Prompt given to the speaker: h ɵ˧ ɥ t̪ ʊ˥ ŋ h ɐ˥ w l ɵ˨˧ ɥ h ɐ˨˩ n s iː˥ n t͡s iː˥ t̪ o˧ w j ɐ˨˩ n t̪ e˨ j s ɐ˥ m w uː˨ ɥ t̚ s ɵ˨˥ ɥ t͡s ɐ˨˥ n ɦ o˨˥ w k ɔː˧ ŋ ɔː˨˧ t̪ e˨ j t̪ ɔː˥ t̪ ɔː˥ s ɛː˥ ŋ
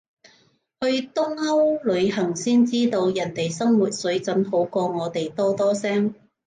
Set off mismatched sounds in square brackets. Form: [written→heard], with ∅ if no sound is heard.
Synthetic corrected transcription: h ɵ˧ ɥ t̪ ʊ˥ ŋ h ɐ˥ w l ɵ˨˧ ɥ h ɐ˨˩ [n→ŋ] s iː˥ n t͡s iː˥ t̪ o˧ w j ɐ˨˩ n t̪ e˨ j s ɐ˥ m w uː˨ [ɥ→∅] t̚ s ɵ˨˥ ɥ t͡s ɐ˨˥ n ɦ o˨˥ w k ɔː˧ ŋ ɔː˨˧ t̪ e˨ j t̪ ɔː˥ t̪ ɔː˥ s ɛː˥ ŋ